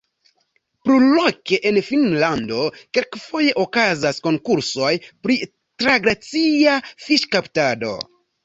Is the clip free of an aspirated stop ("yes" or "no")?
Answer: yes